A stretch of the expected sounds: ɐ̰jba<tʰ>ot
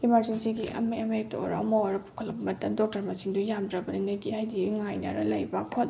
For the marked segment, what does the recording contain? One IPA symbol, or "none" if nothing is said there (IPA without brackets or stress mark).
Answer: kʰ